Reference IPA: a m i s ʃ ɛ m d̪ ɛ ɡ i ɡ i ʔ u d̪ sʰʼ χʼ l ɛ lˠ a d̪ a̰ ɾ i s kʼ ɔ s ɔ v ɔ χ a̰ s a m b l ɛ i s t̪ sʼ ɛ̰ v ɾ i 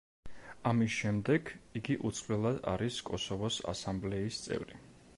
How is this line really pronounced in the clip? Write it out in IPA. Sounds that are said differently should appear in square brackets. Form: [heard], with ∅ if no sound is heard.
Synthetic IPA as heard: a m i s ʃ ɛ m d̪ ɛ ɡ i ɡ i ʔ u [t̪] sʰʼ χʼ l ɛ lˠ a d̪ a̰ ɾ i s kʼ ɔ s ɔ v ɔ [s] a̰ s a m b l ɛ i s t̪ sʼ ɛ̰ v ɾ i